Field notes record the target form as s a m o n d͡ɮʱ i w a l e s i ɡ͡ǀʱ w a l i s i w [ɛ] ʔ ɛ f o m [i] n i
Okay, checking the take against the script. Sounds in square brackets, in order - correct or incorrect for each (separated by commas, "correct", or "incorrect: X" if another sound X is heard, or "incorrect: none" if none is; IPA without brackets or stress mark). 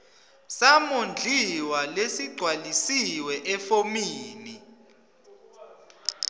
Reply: correct, incorrect: iː